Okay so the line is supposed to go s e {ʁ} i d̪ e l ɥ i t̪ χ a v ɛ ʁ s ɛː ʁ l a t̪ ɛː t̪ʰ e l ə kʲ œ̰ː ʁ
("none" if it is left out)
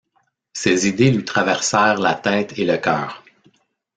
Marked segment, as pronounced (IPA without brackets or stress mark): z